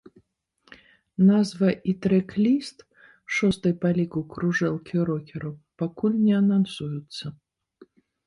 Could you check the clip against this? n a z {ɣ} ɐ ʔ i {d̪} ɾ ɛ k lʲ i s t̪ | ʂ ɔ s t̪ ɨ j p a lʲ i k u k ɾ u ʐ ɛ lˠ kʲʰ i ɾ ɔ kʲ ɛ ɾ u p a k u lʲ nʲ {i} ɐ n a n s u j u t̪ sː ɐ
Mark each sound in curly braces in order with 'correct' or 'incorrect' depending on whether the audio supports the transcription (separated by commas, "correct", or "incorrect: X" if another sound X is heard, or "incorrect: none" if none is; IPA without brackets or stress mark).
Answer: incorrect: v, incorrect: t̪, incorrect: ɛ